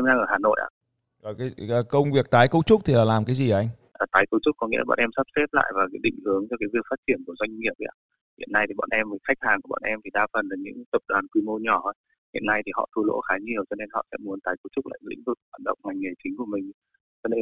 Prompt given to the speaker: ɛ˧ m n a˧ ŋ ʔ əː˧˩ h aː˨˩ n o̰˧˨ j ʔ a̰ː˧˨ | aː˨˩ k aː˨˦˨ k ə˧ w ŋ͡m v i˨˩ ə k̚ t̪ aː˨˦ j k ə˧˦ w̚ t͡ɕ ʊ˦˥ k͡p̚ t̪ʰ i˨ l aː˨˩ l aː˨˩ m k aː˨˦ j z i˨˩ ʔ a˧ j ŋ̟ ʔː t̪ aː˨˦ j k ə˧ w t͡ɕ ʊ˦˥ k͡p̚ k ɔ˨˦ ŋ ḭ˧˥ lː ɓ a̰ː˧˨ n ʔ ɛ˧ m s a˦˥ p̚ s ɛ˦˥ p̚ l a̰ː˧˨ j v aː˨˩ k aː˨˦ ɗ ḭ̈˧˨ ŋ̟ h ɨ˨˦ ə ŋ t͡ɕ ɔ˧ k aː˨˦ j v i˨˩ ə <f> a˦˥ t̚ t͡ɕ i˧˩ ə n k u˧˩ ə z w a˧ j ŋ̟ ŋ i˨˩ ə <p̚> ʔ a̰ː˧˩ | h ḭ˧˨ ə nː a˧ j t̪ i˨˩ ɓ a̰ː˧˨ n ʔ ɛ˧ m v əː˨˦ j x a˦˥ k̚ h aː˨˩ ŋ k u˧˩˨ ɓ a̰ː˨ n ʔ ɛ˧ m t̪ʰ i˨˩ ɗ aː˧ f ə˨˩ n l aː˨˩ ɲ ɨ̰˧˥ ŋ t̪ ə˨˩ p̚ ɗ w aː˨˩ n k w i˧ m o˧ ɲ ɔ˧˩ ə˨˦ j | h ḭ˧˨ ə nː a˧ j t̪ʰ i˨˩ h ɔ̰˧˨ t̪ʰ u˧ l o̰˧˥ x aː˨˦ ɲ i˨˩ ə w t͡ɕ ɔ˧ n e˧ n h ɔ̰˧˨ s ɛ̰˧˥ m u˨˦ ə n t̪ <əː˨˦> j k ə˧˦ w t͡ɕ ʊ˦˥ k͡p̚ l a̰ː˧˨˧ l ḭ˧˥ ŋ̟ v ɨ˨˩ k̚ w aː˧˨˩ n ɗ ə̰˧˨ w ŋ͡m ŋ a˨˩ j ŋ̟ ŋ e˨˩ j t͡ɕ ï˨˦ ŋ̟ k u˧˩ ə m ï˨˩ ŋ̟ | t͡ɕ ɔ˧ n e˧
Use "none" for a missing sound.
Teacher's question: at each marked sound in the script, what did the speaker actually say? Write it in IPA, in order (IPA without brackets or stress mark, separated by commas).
f, p̚, aː˨˦